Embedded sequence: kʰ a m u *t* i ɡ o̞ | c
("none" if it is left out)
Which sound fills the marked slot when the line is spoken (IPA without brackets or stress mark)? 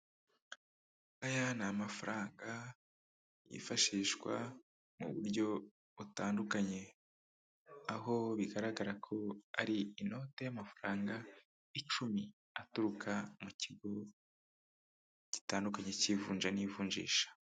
c